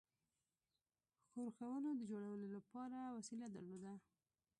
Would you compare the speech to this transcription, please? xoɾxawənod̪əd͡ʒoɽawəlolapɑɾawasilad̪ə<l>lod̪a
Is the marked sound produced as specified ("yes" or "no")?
no